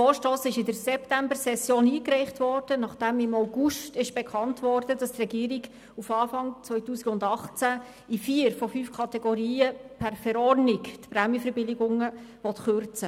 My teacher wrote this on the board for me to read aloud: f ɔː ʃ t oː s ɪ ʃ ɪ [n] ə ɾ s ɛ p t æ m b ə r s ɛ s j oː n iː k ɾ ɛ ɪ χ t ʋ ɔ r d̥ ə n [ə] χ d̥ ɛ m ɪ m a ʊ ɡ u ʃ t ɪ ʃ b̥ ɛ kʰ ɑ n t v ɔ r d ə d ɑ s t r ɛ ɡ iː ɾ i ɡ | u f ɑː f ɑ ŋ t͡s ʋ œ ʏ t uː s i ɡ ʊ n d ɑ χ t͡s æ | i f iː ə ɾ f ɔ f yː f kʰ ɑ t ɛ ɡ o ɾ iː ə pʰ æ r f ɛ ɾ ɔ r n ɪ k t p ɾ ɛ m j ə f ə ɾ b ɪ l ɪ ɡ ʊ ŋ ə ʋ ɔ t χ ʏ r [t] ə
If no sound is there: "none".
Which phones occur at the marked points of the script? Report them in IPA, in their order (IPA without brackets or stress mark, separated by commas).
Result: d, ɑ, t͡s